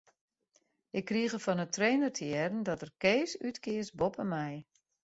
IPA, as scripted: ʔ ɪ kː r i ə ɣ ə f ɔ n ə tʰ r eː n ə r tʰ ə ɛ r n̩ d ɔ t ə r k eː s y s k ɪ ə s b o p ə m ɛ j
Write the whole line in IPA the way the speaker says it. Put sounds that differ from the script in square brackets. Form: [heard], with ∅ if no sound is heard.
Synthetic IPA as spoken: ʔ ɪ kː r i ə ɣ ə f ɔ n ə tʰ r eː n ə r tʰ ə ɛ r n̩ d ɔ t ə r k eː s y [t] k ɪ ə s b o p ə m ɛ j